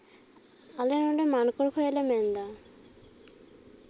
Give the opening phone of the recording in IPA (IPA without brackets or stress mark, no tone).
a